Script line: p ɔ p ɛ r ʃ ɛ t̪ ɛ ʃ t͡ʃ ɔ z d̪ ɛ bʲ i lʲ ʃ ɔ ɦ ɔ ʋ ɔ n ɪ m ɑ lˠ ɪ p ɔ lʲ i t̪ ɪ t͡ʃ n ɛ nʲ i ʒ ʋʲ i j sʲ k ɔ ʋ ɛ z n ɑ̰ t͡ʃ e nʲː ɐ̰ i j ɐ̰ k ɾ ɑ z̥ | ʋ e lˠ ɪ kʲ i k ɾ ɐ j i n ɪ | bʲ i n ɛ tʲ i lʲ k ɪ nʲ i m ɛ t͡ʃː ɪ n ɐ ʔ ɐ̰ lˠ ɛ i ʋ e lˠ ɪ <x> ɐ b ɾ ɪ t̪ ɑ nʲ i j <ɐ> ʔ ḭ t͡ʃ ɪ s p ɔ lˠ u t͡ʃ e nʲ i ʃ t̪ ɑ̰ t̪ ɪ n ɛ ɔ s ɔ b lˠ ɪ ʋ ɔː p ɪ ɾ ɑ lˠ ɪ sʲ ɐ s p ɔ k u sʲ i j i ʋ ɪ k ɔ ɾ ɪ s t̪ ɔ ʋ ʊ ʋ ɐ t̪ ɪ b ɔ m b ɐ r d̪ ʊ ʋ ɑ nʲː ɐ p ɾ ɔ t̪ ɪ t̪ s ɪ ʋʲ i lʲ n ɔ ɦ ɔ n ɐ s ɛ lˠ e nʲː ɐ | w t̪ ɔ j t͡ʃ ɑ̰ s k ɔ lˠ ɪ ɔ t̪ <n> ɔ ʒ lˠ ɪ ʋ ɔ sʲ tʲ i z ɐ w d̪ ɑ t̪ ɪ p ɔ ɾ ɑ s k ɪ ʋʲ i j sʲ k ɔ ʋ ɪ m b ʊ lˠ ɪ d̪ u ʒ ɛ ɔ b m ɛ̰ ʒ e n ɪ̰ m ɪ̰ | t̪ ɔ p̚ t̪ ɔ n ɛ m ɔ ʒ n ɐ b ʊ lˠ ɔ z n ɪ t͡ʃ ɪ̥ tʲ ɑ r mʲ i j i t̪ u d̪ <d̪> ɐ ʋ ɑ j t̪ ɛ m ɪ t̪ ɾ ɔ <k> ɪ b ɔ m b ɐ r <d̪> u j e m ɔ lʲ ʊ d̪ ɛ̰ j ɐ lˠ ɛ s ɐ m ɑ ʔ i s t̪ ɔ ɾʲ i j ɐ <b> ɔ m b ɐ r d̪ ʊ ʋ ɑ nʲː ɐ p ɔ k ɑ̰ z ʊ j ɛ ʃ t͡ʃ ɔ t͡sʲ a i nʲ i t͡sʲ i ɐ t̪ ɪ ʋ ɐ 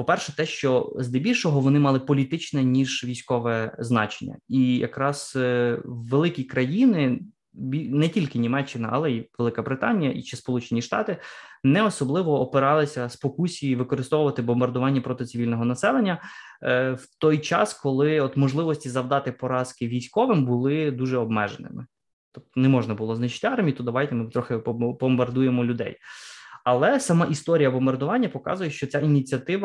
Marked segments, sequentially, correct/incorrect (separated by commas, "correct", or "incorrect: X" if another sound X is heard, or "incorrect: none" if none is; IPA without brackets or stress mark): incorrect: k, correct, incorrect: m, correct, incorrect: x, correct, correct